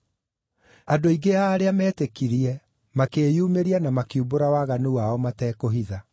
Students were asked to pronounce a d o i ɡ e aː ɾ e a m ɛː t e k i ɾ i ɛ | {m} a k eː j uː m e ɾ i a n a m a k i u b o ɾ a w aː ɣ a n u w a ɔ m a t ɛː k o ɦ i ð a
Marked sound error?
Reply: no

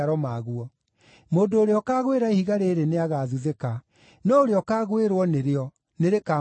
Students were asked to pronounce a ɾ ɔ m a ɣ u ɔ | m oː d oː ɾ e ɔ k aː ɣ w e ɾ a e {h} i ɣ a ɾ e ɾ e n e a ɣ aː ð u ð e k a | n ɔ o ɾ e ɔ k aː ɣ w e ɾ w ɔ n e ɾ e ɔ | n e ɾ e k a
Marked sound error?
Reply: no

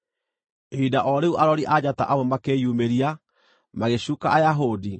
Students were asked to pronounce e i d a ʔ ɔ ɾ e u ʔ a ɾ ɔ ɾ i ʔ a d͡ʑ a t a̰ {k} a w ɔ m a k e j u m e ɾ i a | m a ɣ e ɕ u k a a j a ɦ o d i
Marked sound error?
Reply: yes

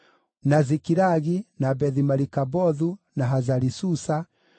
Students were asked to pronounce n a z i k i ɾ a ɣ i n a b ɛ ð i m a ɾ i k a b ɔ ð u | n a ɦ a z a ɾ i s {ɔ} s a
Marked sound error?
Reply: yes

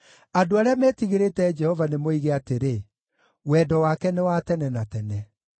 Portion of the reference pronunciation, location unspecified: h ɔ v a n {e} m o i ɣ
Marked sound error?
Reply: no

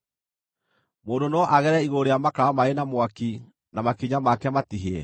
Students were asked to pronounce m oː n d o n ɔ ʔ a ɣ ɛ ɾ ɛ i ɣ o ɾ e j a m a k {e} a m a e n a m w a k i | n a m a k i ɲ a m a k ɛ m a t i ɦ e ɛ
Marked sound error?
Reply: yes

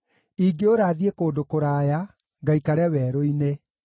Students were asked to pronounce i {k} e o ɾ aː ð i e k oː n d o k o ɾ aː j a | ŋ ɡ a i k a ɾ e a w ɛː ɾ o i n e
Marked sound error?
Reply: yes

